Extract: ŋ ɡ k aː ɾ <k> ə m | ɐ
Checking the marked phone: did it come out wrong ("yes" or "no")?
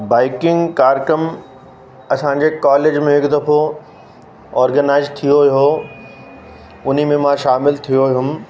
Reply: no